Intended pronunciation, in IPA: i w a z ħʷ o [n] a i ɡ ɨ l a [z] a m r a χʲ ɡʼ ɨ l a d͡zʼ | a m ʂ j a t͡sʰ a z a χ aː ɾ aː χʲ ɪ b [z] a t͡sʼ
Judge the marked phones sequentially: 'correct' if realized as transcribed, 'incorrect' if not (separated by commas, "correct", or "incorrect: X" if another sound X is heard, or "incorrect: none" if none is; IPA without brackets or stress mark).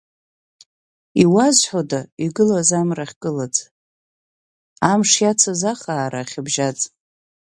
incorrect: d, correct, incorrect: ʒ